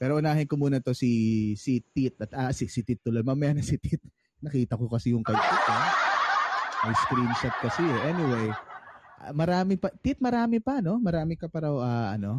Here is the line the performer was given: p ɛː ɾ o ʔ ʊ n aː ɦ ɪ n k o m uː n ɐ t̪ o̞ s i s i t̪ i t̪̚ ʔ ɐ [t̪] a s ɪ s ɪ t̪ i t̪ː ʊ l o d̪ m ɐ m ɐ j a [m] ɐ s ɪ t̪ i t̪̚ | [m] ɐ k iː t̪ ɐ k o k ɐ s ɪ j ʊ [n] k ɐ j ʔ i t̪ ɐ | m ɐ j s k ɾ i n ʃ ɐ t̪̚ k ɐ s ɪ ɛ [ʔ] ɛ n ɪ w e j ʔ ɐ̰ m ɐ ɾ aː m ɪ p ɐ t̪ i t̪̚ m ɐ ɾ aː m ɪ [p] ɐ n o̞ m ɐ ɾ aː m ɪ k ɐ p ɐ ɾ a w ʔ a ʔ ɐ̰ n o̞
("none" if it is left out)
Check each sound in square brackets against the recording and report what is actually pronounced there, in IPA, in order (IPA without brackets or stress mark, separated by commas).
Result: t̪, n, n, ŋ, ʔ, p